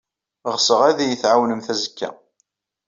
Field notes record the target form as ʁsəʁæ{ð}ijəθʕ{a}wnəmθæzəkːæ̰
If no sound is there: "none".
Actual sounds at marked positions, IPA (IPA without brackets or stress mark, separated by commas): ð, a